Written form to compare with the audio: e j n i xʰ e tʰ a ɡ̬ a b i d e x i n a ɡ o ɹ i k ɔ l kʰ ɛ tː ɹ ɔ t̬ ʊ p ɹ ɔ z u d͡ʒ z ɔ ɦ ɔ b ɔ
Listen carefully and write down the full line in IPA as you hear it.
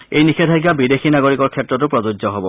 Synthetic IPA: e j n i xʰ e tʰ a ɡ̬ a b i d e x i n a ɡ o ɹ i k ɔ ɹ kʰ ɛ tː ɹ ɔ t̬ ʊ p ɹ ɔ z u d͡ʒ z ɔ ɦ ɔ b ɔ